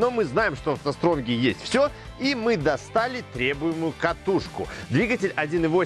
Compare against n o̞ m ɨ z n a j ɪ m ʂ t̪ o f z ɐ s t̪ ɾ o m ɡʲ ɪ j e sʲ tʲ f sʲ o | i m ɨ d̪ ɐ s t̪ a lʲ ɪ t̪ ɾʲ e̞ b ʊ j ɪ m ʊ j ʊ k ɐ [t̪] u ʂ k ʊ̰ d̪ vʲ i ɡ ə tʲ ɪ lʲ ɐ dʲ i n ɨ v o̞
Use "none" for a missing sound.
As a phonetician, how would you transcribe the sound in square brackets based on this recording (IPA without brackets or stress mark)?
t̪